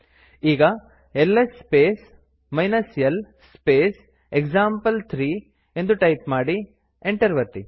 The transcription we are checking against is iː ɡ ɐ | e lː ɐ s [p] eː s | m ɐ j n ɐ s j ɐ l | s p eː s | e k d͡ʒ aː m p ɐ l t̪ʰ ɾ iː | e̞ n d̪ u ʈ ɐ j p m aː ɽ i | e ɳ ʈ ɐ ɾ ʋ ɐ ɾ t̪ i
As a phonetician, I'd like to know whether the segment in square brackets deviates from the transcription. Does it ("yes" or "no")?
no